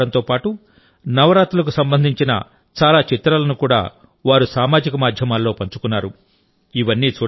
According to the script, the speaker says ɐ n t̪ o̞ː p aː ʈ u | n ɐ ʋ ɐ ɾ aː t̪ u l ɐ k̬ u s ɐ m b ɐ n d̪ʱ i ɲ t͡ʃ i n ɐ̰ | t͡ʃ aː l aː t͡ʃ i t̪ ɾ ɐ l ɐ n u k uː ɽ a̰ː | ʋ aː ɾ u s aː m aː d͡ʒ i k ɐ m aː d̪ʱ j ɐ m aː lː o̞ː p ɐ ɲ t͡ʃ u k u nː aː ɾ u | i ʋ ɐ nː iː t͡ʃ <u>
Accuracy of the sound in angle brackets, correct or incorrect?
incorrect